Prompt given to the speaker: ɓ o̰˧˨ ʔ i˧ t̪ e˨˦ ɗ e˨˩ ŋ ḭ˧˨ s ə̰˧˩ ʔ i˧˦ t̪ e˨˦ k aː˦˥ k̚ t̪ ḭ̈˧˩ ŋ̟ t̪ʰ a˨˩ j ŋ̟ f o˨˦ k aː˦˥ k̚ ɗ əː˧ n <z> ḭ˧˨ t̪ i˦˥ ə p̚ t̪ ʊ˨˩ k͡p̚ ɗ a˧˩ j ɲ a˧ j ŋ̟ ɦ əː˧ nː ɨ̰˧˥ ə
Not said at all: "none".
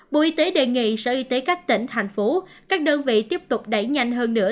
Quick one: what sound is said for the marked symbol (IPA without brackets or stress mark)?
v